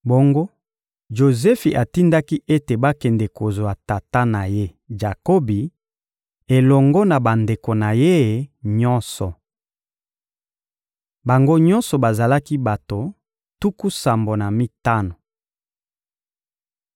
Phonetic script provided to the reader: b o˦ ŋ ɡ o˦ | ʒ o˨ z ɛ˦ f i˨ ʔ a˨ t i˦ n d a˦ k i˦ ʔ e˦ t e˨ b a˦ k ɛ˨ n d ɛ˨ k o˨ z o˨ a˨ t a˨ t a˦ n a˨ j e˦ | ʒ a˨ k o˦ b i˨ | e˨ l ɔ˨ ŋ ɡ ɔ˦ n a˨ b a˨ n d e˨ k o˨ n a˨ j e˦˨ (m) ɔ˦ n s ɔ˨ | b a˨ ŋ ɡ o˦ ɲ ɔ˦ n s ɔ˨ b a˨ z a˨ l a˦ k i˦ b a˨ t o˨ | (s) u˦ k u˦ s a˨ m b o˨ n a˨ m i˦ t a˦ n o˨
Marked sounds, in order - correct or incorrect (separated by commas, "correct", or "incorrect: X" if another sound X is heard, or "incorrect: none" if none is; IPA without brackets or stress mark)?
incorrect: ɲ, incorrect: t